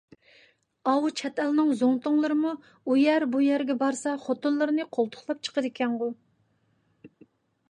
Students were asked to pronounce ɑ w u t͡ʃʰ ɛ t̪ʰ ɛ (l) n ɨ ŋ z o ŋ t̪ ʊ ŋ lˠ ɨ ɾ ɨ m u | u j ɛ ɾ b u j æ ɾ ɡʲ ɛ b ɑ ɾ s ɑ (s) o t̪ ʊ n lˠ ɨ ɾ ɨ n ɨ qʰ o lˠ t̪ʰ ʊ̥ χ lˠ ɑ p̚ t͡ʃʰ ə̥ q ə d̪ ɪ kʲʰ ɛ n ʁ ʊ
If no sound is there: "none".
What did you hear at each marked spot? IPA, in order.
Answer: l, χ

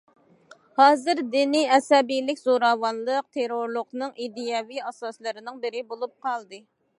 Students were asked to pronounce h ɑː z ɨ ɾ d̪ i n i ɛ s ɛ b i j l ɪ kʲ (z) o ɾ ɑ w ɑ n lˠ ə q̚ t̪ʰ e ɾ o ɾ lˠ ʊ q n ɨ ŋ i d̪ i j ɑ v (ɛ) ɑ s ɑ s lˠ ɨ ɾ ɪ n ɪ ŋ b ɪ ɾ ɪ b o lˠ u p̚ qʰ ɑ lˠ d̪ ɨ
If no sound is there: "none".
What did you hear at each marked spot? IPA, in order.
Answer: z, i

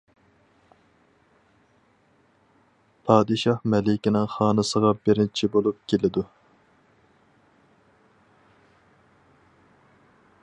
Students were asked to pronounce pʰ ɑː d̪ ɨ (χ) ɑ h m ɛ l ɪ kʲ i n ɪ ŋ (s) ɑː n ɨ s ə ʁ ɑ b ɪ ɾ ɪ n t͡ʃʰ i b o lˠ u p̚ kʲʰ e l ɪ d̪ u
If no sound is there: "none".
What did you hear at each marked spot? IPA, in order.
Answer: ʃ, χ

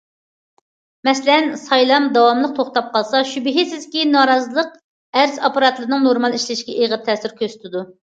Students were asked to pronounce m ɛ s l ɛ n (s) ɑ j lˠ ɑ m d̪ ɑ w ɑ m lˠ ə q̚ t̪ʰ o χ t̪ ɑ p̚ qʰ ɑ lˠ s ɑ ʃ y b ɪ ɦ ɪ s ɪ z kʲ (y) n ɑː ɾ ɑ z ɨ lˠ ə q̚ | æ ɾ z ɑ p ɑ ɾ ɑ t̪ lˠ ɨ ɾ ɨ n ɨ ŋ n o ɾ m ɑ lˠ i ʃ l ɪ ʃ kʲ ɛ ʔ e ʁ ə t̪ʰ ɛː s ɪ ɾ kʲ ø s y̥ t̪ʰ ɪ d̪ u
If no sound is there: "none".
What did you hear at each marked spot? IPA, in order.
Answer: s, i

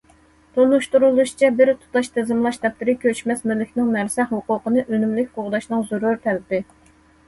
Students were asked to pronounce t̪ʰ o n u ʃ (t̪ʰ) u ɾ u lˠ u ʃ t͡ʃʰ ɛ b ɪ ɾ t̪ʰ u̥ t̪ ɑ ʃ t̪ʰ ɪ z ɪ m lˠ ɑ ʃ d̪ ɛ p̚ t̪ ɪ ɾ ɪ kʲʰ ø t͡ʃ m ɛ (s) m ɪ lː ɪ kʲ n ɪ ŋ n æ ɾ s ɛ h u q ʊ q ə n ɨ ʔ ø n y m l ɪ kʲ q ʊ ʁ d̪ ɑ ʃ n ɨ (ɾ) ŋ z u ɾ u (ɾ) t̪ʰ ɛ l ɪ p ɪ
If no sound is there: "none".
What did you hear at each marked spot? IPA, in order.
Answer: t̪, s, none, ɾ

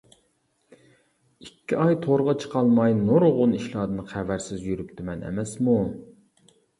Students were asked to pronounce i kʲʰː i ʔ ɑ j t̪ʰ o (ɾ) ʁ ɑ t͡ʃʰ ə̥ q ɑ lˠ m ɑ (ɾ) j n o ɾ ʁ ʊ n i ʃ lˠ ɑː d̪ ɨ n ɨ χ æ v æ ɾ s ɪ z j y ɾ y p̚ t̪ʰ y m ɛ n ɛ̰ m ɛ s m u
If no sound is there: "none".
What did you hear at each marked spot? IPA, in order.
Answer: ɾ, none

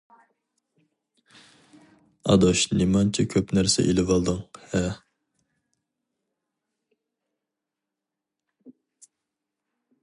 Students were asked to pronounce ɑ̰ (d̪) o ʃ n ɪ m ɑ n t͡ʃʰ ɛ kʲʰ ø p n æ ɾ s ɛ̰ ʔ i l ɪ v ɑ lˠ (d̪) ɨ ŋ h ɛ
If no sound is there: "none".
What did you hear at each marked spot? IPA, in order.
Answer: d̪, d̪

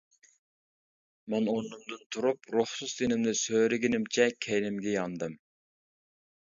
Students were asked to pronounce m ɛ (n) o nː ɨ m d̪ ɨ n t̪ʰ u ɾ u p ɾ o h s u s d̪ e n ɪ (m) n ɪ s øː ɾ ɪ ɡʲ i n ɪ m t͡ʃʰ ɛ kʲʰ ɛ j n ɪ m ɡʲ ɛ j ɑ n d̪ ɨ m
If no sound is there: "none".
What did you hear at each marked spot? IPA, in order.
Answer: n, m

